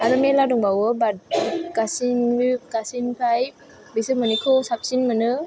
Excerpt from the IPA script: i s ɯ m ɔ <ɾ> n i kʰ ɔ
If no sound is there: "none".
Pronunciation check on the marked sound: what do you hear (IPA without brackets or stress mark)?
none